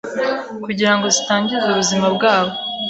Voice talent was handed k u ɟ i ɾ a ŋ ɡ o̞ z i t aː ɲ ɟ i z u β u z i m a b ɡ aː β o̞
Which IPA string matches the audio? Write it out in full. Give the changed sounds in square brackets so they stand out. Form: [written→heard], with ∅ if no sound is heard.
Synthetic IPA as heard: k u ɟ i ɾ a ŋ ɡ o̞ z i t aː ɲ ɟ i z u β u z i m a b ɡ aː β o̞